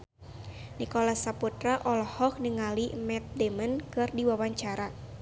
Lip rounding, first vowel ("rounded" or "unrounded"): unrounded